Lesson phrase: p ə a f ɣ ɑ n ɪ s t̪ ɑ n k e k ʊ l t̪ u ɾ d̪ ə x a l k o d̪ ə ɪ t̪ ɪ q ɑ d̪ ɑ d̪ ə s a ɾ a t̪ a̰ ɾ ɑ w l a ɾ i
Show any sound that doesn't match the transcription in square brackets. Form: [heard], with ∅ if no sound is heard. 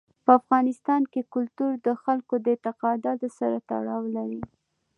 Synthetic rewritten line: p ə a f ɣ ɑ n ɪ s t̪ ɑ n k e k ʊ l t̪ u ɾ d̪ ə x a l k o d̪ ə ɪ t̪ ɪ q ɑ d̪ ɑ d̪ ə s a ɾ a t̪ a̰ [ɽ] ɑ w l a ɾ i